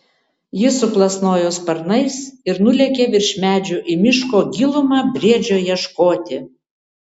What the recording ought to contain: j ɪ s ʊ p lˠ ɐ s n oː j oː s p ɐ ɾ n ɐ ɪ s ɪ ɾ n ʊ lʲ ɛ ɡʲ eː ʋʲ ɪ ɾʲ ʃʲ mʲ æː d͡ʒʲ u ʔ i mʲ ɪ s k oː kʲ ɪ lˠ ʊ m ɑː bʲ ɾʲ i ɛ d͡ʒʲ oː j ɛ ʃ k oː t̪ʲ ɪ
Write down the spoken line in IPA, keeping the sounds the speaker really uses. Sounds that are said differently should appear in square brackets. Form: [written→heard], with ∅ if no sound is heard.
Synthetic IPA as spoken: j ɪ s ʊ p lˠ ɐ s n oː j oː s p ɐ ɾ n ɐ ɪ s ɪ ɾ n ʊ lʲ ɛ [ɡʲ→kʲ] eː ʋʲ ɪ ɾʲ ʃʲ mʲ æː d͡ʒʲ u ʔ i mʲ ɪ [s→ʃ] k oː [kʲ→ɡʲ] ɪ lˠ ʊ m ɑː bʲ ɾʲ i ɛ d͡ʒʲ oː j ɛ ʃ k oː t̪ʲ ɪ

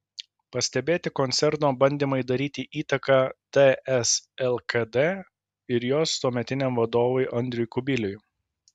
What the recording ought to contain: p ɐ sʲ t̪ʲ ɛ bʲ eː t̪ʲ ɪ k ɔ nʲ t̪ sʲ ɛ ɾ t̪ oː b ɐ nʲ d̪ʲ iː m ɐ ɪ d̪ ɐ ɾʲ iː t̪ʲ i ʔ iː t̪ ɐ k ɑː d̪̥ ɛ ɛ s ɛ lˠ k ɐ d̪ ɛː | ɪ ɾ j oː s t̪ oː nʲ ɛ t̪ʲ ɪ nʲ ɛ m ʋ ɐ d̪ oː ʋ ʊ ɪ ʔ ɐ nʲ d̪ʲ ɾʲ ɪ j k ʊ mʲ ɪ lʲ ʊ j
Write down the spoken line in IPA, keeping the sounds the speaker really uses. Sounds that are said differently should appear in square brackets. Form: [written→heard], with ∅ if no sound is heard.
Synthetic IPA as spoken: p ɐ sʲ t̪ʲ ɛ bʲ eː t̪ʲ ɪ k ɔ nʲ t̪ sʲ ɛ ɾ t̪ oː b ɐ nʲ d̪ʲ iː m ɐ ɪ d̪ ɐ ɾʲ iː t̪ʲ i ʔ iː t̪ ɐ k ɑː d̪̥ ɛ ɛ s ɛ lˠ k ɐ d̪ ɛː | ɪ ɾ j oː s t̪ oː [nʲ→mʲ] ɛ t̪ʲ ɪ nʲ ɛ m ʋ ɐ d̪ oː ʋ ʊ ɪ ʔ ɐ nʲ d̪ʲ ɾʲ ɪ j k ʊ [mʲ→bʲ] ɪ lʲ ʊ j

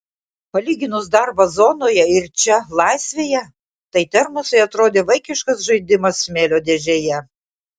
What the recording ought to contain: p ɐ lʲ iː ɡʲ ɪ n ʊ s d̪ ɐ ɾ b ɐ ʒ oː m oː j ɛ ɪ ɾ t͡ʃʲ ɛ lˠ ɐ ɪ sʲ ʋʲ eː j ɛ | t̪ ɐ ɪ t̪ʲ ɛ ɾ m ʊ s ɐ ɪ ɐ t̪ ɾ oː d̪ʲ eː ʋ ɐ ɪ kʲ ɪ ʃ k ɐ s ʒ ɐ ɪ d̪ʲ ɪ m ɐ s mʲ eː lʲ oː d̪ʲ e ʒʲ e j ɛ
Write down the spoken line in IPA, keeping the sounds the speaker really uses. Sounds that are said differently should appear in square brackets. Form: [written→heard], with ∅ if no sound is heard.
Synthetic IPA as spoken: p ɐ lʲ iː ɡʲ ɪ n ʊ s d̪ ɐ ɾ b ɐ [ʒ→z] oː [m→n] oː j ɛ ɪ ɾ t͡ʃʲ ɛ lˠ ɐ ɪ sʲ ʋʲ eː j ɛ | t̪ ɐ ɪ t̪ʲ ɛ ɾ m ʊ s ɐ ɪ ɐ t̪ ɾ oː d̪ʲ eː ʋ ɐ ɪ kʲ ɪ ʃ k ɐ s ʒ ɐ ɪ d̪ʲ ɪ m ɐ s mʲ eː lʲ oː d̪ʲ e ʒʲ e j ɛ

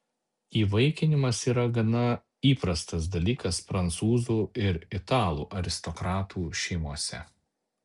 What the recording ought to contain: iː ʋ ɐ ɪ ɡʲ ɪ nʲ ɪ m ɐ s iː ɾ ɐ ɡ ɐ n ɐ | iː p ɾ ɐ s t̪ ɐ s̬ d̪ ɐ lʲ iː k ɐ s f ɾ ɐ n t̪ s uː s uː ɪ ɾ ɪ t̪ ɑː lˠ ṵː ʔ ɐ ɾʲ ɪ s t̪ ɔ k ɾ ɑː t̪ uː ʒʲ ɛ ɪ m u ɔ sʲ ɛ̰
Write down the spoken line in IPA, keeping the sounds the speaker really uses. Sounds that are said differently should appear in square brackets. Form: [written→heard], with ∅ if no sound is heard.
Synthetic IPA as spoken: iː ʋ ɐ ɪ [ɡʲ→kʲ] ɪ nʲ ɪ m ɐ s iː ɾ ɐ ɡ ɐ n ɐ | iː p ɾ ɐ s t̪ ɐ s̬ d̪ ɐ lʲ iː k ɐ s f ɾ ɐ n t̪ s uː [s→z] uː ɪ ɾ ɪ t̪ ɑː lˠ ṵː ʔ ɐ ɾʲ ɪ s t̪ ɔ k ɾ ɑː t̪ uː [ʒʲ→ʃʲ] ɛ ɪ m u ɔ sʲ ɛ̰

